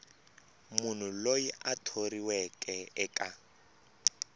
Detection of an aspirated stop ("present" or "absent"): present